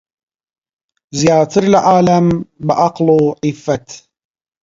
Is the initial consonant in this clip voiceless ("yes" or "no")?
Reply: no